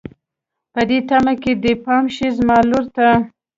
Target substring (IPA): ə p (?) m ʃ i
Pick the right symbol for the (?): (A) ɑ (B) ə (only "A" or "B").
A